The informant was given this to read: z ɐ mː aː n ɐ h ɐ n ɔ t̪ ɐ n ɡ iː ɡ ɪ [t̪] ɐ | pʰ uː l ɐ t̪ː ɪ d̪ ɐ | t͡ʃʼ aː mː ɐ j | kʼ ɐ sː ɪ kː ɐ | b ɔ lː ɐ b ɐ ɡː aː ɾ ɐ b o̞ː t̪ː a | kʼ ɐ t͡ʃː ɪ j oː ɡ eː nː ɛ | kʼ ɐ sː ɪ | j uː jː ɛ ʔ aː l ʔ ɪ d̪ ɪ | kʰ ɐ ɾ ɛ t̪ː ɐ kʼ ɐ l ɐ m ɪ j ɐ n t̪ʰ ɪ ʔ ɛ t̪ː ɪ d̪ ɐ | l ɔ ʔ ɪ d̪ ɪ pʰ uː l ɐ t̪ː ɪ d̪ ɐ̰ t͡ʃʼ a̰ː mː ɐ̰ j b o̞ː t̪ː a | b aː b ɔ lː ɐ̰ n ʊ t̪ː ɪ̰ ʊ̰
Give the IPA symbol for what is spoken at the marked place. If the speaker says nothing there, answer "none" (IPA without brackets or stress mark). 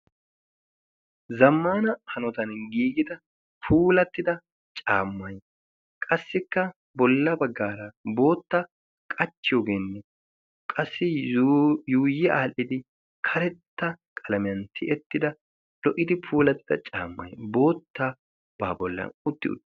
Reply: d̪